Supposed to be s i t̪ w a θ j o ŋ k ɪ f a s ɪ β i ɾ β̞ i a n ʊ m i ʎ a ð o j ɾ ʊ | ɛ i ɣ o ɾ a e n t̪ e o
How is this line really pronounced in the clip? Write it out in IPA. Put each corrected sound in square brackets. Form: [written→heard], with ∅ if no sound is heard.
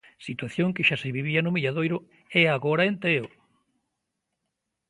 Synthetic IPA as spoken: s i t̪ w a θ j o ŋ k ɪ [f→ʃ] a s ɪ β i [ɾ→∅] β̞ i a n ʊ m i ʎ a ð o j ɾ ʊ | ɛ [i→a] ɣ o ɾ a e n t̪ e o